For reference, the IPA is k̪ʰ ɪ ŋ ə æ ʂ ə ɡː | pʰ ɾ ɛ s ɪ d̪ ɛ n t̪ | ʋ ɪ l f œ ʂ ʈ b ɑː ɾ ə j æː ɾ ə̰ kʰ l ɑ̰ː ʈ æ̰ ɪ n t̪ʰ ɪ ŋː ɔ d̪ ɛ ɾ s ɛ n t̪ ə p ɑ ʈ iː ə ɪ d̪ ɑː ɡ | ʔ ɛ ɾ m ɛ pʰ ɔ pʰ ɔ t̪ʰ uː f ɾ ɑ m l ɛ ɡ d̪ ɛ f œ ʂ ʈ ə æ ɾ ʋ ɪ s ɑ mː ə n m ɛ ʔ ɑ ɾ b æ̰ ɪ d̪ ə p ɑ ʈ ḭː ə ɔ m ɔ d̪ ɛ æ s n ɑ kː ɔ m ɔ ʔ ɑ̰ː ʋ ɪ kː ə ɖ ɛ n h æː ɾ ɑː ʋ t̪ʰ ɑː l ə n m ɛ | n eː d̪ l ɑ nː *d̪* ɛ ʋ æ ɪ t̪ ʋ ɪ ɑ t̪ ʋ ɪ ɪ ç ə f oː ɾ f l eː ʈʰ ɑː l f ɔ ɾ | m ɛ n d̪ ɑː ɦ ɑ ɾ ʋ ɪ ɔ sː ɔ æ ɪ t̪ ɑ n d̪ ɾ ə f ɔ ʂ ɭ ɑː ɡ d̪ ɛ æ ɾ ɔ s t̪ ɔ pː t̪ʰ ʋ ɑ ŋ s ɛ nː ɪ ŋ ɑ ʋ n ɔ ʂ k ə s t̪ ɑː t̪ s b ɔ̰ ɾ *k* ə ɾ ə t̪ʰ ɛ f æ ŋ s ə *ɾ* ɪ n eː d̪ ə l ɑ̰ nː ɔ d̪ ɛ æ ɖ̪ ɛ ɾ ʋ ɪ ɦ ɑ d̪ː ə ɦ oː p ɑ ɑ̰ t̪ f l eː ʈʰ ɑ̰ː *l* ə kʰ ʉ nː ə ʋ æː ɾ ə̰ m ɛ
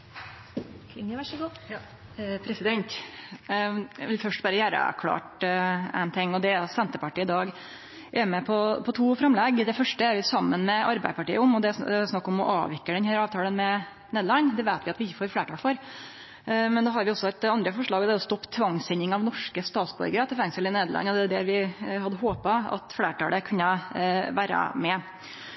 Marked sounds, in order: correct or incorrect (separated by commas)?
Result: correct, incorrect, incorrect, correct